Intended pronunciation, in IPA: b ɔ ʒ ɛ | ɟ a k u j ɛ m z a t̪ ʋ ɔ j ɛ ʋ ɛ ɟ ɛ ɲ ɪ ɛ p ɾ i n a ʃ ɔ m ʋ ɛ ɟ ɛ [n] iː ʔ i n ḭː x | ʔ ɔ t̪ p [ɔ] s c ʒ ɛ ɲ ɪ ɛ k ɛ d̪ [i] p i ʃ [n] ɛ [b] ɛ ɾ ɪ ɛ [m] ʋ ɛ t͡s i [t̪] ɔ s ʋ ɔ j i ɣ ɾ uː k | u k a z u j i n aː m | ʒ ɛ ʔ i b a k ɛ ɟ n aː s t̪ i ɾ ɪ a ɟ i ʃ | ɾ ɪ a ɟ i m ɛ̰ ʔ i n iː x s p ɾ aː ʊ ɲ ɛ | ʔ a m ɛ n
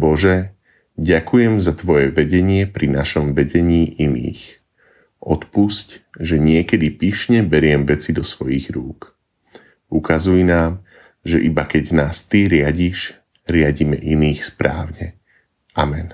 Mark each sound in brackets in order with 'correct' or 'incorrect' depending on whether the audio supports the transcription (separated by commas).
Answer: incorrect, incorrect, correct, incorrect, correct, correct, incorrect